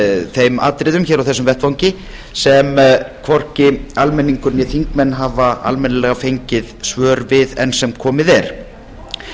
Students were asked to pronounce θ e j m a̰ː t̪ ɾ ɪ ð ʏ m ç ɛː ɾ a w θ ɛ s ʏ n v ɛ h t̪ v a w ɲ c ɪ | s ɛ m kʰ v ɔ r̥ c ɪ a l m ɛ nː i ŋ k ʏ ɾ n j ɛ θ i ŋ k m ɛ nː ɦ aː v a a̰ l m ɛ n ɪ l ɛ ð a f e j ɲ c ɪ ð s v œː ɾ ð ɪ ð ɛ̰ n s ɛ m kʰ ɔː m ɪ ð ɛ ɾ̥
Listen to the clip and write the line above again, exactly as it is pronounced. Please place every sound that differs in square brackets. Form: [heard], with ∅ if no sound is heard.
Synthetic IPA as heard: θ e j m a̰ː t̪ ɾ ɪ ð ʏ m ç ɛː ɾ a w θ ɛ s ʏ [m] v ɛ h t̪ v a w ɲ c ɪ | s ɛ m kʰ v ɔ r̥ c ɪ a l m ɛ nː i ŋ k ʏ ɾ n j ɛ θ i ŋ k m ɛ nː ɦ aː v a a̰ l m ɛ n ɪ l ɛ [ɣ] a f e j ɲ c ɪ ð s v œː ɾ [v] ɪ ð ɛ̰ n s ɛ m kʰ ɔː m ɪ ð ɛ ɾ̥